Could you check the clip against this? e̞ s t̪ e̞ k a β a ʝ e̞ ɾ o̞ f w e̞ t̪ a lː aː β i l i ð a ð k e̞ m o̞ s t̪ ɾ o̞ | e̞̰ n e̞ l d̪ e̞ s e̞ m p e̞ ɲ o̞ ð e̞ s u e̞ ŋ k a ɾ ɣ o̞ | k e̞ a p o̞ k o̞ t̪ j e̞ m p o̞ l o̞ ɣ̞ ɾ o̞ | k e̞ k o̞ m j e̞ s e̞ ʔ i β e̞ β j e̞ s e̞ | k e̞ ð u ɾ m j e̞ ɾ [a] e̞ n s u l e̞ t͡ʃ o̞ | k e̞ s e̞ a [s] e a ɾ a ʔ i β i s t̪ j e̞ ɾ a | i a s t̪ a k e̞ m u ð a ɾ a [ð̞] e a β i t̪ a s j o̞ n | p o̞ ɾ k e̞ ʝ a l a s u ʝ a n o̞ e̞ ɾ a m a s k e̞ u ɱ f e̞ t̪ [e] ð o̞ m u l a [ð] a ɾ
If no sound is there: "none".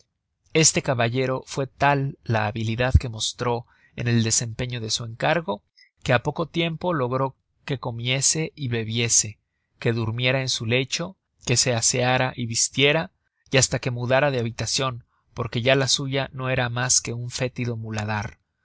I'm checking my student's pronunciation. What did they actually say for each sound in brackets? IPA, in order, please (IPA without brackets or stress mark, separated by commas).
a, s, ð̞, i, ð